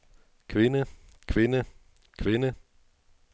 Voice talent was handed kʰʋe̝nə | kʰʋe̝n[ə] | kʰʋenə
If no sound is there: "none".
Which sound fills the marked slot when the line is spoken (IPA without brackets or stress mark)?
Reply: ə